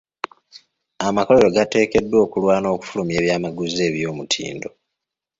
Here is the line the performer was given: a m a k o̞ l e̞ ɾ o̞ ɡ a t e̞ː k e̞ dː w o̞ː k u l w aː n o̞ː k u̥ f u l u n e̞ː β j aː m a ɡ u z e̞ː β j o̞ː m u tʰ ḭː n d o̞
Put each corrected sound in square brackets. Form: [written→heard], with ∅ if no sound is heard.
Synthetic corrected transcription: a m a k o̞ l e̞ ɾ o̞ ɡ a t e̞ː k e̞ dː w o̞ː k u l w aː n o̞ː k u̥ f u l u [n→m] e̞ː β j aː m a ɡ u z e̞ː β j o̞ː m u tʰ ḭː n d o̞